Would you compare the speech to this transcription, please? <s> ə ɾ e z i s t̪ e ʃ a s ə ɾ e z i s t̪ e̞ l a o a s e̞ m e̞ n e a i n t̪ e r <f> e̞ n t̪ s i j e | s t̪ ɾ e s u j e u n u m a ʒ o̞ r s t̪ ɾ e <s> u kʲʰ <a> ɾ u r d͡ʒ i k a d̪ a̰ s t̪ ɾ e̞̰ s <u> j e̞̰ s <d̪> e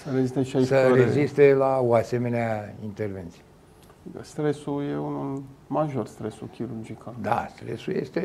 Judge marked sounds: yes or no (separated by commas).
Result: yes, no, yes, no, yes, no